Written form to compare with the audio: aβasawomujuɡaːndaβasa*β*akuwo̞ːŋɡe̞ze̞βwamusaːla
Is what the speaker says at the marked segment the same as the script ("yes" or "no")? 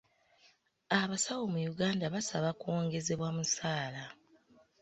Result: yes